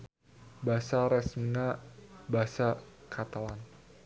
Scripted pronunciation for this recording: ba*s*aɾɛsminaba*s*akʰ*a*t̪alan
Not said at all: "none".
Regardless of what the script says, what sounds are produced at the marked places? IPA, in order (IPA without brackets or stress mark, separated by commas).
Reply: s, s, a